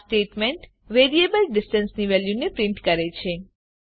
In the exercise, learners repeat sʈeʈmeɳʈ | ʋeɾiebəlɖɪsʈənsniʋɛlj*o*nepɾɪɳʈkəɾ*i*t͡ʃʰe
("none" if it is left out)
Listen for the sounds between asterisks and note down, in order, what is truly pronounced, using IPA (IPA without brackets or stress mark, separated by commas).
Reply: u, e